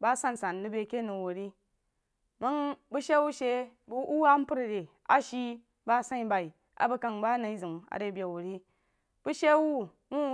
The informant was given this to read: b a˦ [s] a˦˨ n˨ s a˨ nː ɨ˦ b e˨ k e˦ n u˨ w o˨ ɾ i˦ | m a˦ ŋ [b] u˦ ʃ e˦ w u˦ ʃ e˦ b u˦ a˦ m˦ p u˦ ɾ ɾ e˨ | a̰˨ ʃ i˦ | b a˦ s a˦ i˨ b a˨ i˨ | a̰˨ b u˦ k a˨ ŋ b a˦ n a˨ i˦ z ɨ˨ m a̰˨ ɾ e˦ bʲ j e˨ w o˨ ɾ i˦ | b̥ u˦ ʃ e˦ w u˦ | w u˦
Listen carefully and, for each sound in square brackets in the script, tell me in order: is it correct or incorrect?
correct, correct

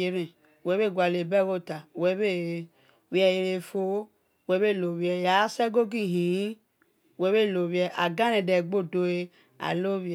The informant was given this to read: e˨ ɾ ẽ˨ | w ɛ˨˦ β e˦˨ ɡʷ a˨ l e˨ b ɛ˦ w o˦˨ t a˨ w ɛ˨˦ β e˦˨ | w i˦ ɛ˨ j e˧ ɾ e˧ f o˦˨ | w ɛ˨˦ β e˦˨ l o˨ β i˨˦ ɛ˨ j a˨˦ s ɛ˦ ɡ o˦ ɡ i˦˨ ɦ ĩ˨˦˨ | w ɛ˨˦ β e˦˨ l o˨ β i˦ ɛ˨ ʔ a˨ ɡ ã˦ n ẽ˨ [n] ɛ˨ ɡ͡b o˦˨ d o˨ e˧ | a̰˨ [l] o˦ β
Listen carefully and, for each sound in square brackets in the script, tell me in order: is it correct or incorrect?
incorrect, correct

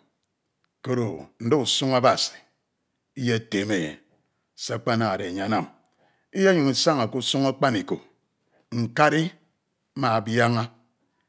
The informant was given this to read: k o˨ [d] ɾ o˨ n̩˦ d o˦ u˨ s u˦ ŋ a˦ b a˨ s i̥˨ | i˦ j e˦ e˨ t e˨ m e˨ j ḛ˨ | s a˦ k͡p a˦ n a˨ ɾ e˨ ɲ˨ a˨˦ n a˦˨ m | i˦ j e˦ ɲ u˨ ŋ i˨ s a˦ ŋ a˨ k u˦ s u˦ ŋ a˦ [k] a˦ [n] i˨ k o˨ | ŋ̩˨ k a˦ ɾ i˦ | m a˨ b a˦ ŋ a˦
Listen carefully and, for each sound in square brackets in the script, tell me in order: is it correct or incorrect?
incorrect, incorrect, correct

